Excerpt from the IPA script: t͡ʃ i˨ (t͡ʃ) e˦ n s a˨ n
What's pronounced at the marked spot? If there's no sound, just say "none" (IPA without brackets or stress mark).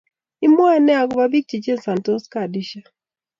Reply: t͡ʃ